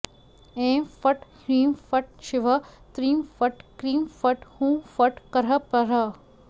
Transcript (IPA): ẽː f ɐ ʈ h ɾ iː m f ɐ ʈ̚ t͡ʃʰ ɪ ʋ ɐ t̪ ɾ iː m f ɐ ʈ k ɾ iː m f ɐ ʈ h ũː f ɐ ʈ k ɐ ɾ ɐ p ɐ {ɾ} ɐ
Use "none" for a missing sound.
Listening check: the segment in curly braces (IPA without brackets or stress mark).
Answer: ɾ